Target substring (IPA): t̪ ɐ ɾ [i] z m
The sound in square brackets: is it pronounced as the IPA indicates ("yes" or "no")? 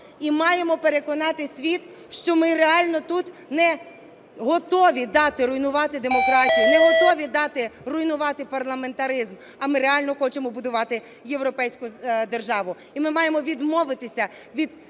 no